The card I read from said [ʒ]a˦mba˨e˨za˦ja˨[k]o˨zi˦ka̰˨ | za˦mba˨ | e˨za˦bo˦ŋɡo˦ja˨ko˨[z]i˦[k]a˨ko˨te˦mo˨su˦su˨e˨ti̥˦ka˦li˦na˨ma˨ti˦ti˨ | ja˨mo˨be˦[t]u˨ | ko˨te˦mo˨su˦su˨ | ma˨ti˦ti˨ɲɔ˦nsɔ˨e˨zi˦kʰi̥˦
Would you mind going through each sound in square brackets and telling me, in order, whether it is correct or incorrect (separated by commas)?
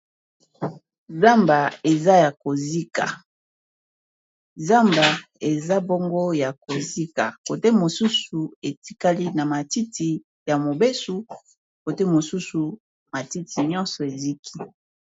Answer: incorrect, correct, correct, correct, incorrect